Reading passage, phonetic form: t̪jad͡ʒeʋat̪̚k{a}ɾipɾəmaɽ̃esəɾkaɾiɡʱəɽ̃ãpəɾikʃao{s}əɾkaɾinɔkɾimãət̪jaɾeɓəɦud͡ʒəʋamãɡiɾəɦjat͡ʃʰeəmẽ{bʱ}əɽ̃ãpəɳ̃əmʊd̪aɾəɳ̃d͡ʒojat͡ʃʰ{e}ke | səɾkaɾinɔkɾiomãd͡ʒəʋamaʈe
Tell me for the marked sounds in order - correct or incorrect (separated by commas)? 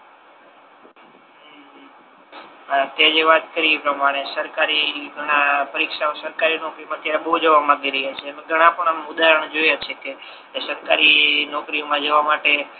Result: incorrect, correct, incorrect, correct